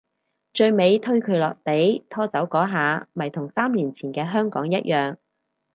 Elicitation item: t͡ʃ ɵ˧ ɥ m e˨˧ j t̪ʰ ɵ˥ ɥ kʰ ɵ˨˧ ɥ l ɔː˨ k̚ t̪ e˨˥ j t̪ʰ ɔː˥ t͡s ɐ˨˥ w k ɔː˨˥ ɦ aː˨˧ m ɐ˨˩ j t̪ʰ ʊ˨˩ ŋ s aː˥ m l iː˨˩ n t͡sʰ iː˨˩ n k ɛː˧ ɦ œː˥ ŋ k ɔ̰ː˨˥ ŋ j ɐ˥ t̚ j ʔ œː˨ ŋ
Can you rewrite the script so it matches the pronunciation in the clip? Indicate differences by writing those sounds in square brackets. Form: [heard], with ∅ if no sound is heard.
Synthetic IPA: t͡ʃ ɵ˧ ɥ m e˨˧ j t̪ʰ ɵ˥ ɥ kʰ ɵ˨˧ ɥ l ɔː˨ k̚ t̪ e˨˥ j t̪ʰ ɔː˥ t͡s ɐ˨˥ w k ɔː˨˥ ɦ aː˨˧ m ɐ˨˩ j t̪ʰ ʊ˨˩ ŋ s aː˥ m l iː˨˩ n t͡sʰ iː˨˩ n k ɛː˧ ɦ œː˥ ŋ k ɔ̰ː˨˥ ŋ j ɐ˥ t̚ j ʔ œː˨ ŋ